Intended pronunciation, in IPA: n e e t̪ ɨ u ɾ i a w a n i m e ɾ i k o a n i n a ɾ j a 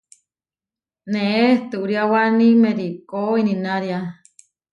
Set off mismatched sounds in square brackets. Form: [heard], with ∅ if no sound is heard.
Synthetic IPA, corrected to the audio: n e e t̪ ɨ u ɾ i a w a n i m e ɾ i k o [i] n i n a ɾ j a